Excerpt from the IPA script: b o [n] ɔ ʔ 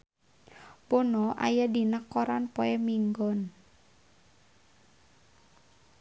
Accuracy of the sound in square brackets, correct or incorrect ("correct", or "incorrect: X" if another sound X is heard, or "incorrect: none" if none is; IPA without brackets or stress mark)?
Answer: correct